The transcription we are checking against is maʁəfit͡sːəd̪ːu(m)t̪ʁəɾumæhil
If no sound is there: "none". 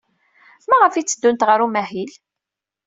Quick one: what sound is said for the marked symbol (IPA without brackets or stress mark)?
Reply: n